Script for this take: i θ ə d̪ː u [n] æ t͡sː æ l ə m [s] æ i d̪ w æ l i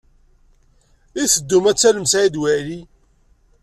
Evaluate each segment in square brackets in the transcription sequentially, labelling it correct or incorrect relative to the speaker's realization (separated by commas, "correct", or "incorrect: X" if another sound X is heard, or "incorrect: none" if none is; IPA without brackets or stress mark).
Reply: incorrect: m, correct